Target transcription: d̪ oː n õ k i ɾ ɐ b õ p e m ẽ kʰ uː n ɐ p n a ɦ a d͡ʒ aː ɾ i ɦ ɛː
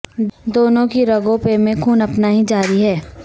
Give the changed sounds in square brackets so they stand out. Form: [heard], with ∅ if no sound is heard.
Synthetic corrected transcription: d̪ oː n õ k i ɾ ɐ [ɡ] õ p e m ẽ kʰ uː n ɐ p n a ɦ [i] d͡ʒ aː ɾ i ɦ ɛː